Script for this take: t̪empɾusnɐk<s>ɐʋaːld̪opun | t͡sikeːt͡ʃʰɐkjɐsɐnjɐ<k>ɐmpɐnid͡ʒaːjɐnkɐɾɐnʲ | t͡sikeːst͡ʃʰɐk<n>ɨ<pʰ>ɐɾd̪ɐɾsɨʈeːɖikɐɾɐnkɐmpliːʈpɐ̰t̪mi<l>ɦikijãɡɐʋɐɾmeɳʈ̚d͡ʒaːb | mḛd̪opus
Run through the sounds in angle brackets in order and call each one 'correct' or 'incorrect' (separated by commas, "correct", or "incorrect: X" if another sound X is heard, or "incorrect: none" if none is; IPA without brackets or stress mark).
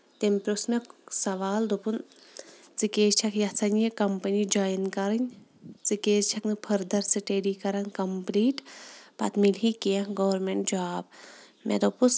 correct, correct, correct, correct, correct